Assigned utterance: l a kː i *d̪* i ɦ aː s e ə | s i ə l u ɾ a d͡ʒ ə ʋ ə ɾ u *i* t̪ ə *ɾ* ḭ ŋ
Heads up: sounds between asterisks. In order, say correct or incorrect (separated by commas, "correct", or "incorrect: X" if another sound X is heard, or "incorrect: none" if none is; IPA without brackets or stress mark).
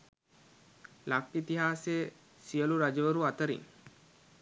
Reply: incorrect: t̪, incorrect: a, correct